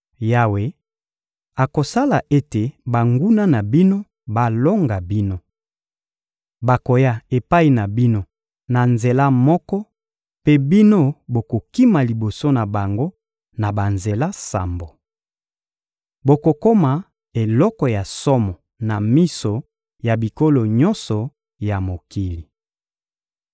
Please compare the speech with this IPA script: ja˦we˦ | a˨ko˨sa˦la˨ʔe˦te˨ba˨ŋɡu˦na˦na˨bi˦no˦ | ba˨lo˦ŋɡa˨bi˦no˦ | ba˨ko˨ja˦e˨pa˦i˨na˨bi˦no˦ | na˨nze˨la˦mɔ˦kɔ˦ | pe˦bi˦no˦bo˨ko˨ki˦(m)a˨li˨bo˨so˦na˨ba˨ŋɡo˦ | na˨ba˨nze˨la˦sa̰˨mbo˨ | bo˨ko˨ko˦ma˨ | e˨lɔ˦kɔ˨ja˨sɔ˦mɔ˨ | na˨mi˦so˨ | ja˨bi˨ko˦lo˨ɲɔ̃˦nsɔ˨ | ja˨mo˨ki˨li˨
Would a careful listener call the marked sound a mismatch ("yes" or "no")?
no